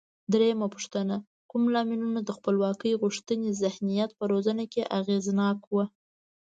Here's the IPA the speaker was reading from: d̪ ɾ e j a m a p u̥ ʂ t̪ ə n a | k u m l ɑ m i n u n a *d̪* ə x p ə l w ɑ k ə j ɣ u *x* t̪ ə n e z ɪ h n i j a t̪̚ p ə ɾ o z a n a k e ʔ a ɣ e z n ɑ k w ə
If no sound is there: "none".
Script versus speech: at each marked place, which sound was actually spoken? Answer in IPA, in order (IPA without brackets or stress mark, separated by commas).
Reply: d̪, ʂ